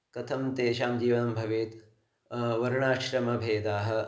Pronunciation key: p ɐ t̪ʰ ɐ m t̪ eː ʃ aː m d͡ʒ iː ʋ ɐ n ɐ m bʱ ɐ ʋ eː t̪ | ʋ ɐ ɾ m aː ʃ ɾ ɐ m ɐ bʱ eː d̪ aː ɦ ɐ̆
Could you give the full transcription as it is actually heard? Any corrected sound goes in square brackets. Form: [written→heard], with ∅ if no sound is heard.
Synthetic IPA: [p→k] ɐ t̪ʰ ɐ m t̪ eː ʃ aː m d͡ʒ iː ʋ ɐ n ɐ m bʱ ɐ ʋ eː t̪ | ʋ ɐ ɾ [m→ɳ] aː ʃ ɾ ɐ m ɐ bʱ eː d̪ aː ɦ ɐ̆